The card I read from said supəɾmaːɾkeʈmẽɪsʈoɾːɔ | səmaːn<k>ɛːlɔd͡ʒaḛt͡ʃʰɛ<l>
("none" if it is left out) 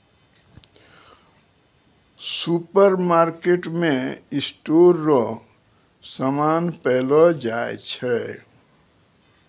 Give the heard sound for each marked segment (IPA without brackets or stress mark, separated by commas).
p, none